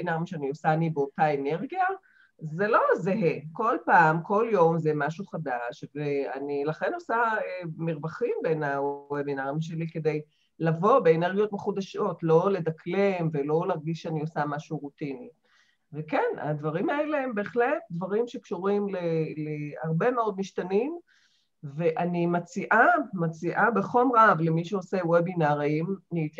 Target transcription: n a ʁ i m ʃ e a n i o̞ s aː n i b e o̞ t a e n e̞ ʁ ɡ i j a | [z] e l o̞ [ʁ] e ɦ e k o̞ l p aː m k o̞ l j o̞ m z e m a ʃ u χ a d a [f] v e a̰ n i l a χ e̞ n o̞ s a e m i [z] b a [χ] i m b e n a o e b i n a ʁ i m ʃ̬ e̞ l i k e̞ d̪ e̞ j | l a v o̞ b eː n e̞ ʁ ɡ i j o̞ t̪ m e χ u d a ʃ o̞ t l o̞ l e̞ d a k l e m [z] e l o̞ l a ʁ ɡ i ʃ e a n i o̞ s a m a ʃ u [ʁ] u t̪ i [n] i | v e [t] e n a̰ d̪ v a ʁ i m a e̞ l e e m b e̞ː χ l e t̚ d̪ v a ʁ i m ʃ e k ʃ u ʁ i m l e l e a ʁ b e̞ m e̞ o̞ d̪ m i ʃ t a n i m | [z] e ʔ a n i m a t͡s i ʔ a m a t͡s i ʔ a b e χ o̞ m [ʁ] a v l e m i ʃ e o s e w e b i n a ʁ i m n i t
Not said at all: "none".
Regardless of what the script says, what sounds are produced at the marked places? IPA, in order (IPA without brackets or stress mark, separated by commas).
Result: z, z, ʃ, ʁ, χ, v, ʁ, n, k, v, ʁ